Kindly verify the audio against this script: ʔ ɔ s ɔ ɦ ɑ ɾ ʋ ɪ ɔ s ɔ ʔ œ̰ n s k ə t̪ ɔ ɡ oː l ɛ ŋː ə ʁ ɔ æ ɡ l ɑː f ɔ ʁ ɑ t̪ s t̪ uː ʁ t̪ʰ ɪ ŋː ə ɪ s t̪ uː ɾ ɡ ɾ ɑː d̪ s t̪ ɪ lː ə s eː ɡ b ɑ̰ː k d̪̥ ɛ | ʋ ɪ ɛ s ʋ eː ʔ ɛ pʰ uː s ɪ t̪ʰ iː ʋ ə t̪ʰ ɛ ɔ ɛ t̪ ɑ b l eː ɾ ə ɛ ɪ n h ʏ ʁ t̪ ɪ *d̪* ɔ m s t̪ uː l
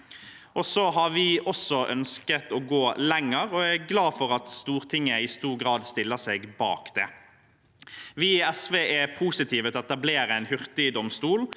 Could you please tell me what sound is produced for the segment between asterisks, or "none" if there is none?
d̪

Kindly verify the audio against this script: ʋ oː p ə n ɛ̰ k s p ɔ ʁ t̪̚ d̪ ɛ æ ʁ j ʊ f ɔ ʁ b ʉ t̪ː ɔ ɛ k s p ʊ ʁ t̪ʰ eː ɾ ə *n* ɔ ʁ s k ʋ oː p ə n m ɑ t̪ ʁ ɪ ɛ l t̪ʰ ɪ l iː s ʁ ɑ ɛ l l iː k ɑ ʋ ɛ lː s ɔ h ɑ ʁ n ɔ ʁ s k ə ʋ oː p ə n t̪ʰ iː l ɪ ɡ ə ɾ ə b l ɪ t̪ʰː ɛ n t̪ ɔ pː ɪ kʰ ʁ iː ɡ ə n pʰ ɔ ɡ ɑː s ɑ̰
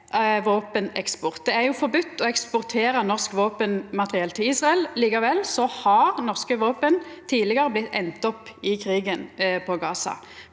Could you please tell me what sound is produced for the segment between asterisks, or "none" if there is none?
n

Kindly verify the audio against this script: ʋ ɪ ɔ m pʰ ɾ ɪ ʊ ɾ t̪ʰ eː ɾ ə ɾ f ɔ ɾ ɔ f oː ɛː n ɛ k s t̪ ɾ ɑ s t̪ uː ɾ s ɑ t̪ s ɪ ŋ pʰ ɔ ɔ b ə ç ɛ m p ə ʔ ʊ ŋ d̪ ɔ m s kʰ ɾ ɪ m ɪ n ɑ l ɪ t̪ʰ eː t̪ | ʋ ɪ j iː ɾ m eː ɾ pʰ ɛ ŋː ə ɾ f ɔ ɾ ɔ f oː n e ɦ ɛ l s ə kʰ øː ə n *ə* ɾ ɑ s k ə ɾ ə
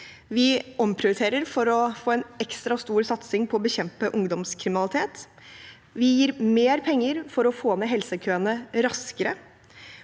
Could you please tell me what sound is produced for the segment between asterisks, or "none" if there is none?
ə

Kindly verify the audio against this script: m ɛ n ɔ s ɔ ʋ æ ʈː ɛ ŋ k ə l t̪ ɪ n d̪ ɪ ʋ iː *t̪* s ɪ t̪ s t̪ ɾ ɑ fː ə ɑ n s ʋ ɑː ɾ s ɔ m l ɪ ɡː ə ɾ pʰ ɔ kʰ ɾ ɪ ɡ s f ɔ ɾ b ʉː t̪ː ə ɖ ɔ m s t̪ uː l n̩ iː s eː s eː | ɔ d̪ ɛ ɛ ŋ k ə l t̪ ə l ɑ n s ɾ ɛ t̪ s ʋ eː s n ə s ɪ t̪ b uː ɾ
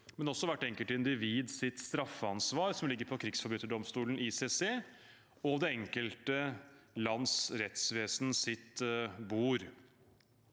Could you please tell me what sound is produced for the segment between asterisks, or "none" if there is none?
d̪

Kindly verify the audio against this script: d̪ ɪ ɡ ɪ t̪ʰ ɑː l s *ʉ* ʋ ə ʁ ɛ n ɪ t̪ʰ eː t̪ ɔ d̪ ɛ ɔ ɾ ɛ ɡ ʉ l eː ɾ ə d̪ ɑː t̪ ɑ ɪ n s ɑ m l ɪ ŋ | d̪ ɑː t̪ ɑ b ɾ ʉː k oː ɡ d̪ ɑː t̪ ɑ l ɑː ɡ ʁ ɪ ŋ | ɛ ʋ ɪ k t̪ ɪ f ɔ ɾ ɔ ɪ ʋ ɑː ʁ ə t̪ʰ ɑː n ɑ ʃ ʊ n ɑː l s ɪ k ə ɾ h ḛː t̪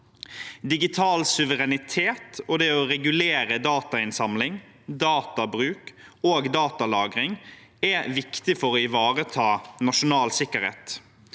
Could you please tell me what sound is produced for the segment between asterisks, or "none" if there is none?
ʉ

